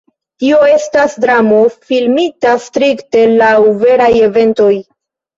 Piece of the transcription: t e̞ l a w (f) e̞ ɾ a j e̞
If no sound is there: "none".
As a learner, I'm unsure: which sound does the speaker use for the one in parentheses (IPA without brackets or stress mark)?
v